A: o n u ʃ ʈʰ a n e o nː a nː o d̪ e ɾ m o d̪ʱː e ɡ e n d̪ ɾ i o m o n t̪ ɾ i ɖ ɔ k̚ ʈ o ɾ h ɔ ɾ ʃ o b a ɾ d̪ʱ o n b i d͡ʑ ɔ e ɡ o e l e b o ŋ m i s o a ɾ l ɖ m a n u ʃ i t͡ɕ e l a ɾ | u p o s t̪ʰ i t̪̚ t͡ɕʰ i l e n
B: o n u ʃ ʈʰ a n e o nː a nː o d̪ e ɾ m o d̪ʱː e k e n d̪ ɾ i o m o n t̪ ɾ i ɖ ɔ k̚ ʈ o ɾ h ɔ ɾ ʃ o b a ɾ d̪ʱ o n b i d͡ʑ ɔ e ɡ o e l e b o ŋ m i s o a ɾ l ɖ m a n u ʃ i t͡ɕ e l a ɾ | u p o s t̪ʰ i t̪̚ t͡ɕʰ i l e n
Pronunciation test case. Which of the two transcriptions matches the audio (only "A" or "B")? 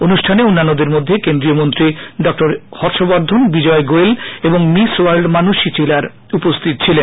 B